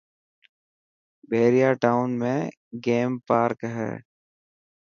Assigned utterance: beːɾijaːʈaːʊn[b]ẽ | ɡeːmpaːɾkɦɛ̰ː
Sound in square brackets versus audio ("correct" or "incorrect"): incorrect